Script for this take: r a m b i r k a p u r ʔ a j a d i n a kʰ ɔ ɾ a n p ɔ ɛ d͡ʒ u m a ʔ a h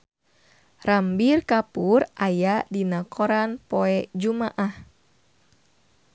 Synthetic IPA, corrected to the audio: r a m b i r k a p u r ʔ a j a d i n a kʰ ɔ ɾ a n p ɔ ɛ d͡ʒ u m a ʔ a h